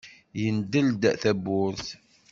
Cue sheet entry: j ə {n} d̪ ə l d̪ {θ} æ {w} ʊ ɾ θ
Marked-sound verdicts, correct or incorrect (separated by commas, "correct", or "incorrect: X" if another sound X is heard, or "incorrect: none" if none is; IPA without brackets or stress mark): correct, correct, incorrect: b